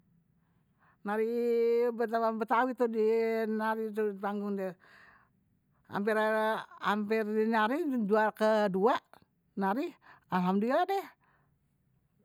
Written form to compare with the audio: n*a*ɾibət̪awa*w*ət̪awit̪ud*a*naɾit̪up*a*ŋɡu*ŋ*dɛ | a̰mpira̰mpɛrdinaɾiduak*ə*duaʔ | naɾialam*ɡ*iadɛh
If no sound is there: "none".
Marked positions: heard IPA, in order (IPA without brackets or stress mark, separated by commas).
a, b, i, a, ŋ, ə, d